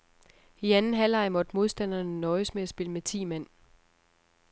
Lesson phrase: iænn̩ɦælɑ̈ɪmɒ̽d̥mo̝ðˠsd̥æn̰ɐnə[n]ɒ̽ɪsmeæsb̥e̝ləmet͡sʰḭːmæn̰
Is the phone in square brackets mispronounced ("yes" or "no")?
no